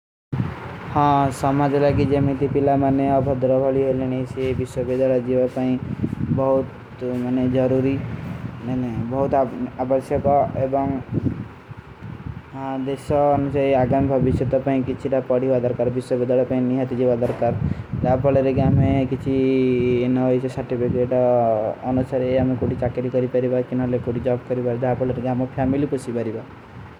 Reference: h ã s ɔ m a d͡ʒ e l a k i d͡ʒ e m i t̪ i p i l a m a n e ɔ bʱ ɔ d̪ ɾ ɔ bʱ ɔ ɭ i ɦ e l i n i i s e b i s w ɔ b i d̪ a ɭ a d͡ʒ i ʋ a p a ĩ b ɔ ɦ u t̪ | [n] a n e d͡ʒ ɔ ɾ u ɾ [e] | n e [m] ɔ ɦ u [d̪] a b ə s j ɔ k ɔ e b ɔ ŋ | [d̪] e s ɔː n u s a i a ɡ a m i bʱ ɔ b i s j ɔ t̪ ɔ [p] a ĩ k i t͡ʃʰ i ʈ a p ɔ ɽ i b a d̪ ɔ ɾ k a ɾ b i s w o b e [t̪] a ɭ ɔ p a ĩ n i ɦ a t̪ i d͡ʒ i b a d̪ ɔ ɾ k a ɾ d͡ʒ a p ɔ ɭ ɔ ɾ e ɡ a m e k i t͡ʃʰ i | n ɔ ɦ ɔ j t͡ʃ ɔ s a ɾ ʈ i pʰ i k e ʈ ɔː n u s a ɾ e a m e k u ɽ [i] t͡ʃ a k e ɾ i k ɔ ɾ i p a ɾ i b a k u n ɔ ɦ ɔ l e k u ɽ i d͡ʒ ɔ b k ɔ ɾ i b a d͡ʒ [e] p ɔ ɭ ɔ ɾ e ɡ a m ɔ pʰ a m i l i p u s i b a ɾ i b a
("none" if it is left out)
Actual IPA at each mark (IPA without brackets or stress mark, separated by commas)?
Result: m, i, b, t̪, d̪, p, d̪, i, a